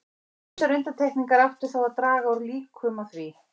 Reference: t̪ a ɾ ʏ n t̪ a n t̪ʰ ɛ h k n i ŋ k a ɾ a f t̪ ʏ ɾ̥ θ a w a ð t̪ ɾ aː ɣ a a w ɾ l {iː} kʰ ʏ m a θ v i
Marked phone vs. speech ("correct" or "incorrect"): correct